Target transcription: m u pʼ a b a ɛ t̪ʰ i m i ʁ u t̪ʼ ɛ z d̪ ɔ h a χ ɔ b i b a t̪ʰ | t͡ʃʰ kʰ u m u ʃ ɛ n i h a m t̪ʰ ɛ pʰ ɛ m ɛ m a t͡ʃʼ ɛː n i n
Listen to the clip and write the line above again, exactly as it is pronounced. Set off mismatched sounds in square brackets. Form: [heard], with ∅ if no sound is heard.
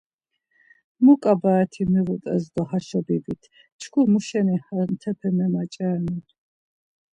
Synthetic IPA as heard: m u [kʼ] a b a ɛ t̪ʰ i m i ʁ u t̪ʼ ɛ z d̪ ɔ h a [ʃ] ɔ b i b [i] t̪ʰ | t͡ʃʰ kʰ u m u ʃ ɛ n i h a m t̪ʰ ɛ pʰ ɛ m ɛ m a t͡ʃʼ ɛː n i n